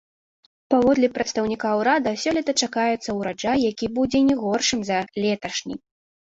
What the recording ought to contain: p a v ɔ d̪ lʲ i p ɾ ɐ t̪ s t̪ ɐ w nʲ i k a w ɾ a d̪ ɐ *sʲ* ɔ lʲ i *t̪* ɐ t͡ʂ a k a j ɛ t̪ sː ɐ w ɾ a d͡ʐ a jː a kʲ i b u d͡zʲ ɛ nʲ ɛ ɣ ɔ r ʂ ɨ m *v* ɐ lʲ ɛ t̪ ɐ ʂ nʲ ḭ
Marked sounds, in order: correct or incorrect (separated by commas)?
correct, correct, incorrect